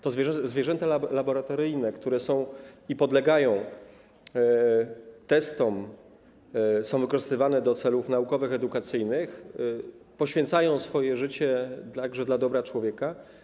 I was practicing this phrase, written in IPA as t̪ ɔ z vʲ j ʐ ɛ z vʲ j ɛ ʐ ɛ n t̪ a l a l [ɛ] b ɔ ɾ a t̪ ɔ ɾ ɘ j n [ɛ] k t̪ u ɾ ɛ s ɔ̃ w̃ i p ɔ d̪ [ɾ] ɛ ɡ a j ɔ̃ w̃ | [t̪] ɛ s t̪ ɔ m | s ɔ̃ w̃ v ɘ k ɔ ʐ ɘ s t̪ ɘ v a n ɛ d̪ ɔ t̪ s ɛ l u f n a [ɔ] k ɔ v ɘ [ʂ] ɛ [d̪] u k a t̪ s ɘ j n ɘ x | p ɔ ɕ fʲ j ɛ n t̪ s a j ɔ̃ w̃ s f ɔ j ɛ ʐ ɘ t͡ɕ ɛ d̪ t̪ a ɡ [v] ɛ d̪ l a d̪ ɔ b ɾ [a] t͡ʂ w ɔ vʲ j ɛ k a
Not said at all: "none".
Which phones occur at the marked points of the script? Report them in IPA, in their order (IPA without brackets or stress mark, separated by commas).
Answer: a, ɛ, l, t̪, u, x, d̪, ʐ, a